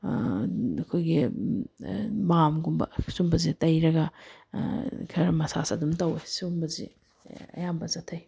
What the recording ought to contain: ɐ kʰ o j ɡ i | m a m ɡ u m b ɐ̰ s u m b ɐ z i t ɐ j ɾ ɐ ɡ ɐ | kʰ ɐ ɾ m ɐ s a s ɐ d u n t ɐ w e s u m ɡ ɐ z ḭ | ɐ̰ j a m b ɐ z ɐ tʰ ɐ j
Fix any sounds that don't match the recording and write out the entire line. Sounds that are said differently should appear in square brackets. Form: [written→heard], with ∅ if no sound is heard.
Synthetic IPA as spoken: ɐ kʰ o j ɡ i | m a m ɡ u m b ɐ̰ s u m b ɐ z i t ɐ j ɾ ɐ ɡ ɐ | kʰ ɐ ɾ m ɐ s a s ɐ d u [n→m] t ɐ w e s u m [ɡ→b] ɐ z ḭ | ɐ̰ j a m b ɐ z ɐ tʰ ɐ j